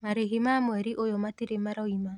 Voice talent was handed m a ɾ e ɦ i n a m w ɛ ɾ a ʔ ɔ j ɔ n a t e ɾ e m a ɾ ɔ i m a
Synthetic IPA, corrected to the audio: m a ɾ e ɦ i m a m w ɛ ɾ i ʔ o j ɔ m a t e ɾ e m a ɾ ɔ i m a